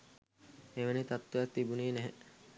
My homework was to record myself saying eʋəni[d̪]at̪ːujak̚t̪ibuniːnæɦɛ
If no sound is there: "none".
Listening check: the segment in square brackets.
t̪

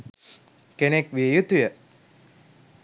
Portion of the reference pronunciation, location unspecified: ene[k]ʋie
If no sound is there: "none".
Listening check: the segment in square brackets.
k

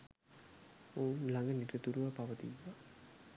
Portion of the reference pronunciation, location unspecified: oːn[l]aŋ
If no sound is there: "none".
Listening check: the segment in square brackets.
l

